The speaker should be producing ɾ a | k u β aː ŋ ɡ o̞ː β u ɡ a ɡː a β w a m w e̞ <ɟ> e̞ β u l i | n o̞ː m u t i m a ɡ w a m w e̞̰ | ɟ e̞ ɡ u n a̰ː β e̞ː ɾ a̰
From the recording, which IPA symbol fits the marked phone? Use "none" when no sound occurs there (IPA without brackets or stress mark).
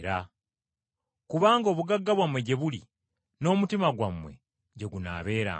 ɟ